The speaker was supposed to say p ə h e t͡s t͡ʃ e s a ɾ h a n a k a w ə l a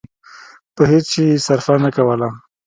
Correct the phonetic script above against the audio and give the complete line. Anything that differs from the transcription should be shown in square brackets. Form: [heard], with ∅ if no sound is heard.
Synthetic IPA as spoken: p ə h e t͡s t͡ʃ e s a ɾ [f] a n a k a w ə l a